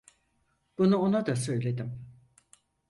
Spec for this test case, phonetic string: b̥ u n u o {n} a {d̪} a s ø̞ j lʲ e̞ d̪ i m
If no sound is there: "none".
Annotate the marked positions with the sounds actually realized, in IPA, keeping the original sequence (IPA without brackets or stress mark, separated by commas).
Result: n, d̪